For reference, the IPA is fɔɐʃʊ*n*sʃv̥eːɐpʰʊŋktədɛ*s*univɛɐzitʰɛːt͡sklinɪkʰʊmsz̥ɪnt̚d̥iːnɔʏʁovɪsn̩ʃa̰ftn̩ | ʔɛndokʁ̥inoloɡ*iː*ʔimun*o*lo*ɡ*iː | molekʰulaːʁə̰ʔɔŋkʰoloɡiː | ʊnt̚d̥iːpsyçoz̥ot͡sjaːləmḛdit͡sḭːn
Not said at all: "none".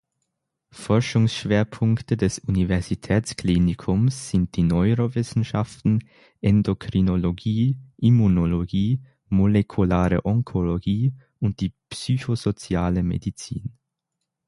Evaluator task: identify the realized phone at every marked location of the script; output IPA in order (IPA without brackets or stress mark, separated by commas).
ŋ, s, iː, o, ɡ